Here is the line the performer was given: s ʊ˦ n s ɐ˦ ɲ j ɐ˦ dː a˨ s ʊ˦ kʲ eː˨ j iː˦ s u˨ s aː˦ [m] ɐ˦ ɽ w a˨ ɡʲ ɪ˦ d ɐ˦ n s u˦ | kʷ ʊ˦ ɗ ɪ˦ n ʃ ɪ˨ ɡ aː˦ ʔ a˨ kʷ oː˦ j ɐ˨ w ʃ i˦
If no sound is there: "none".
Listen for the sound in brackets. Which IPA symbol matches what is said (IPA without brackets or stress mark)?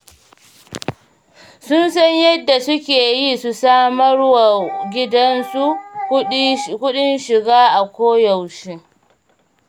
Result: m